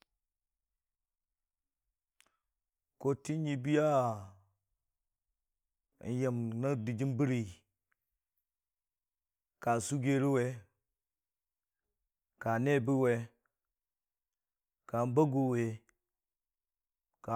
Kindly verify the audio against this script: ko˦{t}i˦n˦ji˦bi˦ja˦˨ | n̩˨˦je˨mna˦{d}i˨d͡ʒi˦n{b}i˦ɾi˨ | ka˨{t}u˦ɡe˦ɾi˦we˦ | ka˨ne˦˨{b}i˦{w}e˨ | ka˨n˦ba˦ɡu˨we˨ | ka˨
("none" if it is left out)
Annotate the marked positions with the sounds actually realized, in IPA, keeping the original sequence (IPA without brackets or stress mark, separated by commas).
t, d, b, s, b, w